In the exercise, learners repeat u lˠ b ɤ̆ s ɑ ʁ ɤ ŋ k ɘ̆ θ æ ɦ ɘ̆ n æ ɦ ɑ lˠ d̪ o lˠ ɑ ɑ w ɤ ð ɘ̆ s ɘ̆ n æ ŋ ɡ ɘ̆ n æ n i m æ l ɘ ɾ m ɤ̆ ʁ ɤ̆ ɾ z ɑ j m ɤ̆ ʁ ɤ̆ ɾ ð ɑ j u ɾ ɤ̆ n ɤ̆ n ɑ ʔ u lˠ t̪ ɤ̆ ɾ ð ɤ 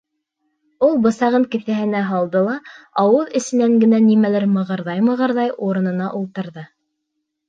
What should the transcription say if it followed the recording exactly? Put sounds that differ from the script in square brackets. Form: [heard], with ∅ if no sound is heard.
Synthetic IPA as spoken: u lˠ b ɤ̆ s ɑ ʁ ɤ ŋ k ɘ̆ θ æ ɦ ɘ̆ n æ ɦ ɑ lˠ d̪ [ɤ] lˠ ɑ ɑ w ɤ ð ɘ̆ s ɘ̆ n æ ŋ ɡ ɘ̆ n æ n i m æ l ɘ ɾ m ɤ̆ ʁ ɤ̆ ɾ [ð] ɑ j m ɤ̆ ʁ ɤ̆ ɾ ð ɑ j u ɾ ɤ̆ n ɤ̆ n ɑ ʔ u lˠ t̪ ɤ̆ ɾ ð ɤ